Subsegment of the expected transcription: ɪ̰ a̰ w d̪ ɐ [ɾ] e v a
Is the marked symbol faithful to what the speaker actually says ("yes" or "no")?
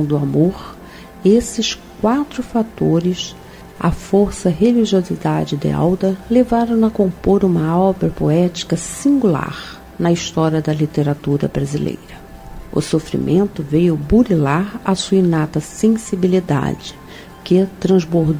no